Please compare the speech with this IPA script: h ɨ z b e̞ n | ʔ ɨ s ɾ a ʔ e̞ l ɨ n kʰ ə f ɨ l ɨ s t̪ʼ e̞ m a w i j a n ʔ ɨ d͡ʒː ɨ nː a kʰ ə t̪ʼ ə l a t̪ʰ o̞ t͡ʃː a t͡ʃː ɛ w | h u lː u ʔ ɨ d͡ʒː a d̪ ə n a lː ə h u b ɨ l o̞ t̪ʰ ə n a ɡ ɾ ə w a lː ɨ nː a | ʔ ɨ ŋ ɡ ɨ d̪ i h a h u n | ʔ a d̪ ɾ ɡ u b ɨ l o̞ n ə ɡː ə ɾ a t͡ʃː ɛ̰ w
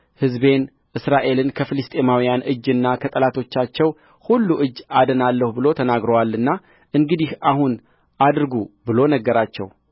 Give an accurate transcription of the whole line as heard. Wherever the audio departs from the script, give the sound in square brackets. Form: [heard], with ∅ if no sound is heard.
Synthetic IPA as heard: h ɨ z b e̞ n | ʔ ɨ s ɾ a ʔ e̞ l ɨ n kʰ ə f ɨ l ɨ s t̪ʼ e̞ m a w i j a n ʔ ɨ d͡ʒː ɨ nː a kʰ ə t̪ʼ ə l a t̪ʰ o̞ t͡ʃː a t͡ʃː ɛ w | h u lː u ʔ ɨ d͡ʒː a d̪ ə n a lː ə h u b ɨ l o̞ t̪ʰ ə n a ɡ ɾ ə w a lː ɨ nː a | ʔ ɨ ŋ ɡ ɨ d̪ i h a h u n | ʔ a d̪ ɾ ɡ u b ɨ l o̞ n ə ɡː ə ɾ a t͡ʃː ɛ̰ w